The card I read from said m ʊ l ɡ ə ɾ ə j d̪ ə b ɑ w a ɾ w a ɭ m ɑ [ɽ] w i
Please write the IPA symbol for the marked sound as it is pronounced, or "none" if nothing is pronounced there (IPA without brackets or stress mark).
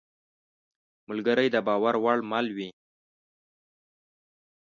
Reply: l